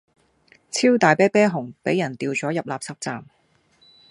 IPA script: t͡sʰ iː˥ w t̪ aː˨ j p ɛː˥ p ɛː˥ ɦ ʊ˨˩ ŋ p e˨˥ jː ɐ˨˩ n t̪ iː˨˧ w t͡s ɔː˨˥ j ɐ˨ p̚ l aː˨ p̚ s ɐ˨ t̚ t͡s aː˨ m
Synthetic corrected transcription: t͡sʰ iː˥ w t̪ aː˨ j p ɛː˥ p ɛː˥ ɦ ʊ˨˩ ŋ p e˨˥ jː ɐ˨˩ n t̪ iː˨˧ w t͡s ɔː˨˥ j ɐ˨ p̚ l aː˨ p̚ s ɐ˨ p̚ t͡s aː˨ m